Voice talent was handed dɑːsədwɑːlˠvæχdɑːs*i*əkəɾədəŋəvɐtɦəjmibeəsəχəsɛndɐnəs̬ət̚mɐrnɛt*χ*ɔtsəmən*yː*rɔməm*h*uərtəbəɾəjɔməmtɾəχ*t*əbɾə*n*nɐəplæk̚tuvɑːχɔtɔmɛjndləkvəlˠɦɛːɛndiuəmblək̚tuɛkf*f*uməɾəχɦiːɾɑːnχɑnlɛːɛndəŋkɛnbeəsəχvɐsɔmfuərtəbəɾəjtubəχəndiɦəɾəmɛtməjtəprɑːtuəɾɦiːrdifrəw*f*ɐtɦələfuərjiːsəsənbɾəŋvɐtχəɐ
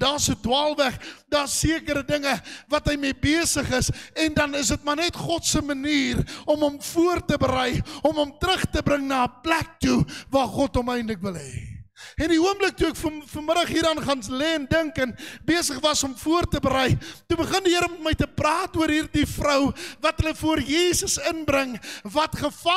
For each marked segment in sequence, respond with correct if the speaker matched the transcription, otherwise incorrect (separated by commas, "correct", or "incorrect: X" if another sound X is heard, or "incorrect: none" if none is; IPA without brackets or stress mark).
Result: correct, correct, incorrect: iː, incorrect: f, correct, incorrect: ŋ, correct, incorrect: v